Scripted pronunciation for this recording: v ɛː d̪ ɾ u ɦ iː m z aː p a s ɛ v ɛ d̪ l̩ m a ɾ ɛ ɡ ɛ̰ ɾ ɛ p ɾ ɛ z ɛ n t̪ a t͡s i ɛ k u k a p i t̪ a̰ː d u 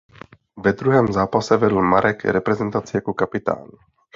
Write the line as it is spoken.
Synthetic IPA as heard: v ɛ d̪ ɾ u ɦ ɛː m z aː p a s ɛ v ɛ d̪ l̩ m a ɾ ɛ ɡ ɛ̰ ɾ ɛ p ɾ ɛ z ɛ n t̪ a t͡s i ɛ k u k a p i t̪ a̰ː n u